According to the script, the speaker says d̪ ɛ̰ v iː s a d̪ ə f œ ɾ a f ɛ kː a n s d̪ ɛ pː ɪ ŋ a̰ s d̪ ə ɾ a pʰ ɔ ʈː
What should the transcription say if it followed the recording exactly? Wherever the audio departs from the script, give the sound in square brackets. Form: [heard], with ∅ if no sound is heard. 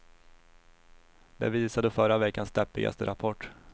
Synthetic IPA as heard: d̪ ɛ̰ v iː s a d̪ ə f œ ɾ a [v] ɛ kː a n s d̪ ɛ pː ɪ [ɡ] a̰ s [t̪] ə ɾ a pʰ ɔ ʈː